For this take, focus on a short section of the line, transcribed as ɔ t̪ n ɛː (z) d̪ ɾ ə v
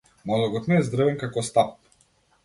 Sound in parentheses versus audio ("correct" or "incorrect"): correct